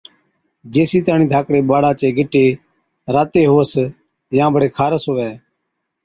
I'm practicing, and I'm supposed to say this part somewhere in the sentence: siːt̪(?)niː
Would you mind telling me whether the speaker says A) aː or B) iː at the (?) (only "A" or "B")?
A